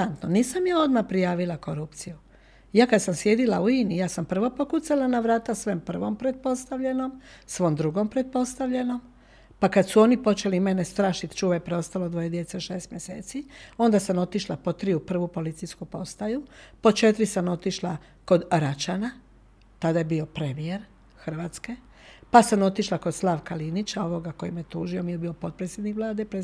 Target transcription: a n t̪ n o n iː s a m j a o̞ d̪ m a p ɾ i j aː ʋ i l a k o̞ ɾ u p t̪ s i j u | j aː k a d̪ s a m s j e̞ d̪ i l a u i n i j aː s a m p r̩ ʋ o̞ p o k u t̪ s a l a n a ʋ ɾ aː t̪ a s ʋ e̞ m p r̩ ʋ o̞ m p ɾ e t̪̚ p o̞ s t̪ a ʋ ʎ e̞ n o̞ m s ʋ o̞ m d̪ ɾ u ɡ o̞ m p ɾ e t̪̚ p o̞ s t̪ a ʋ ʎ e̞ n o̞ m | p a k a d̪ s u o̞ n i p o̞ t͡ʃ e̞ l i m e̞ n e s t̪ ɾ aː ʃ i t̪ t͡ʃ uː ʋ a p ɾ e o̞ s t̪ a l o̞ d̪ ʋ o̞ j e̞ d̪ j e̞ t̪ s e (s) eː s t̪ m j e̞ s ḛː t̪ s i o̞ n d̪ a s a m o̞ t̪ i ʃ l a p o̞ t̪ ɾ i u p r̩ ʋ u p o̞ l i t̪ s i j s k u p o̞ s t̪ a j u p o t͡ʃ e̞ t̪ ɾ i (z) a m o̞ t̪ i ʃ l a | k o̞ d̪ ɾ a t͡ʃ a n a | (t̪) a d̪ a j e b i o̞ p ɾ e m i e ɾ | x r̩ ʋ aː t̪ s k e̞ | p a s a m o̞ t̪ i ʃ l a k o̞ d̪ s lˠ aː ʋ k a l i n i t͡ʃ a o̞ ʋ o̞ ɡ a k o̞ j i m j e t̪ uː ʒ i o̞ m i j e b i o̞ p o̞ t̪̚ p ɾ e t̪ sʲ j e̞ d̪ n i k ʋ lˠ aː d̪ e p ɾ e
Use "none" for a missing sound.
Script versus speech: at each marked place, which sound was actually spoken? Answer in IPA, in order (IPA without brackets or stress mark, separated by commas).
ʃ, s, t̪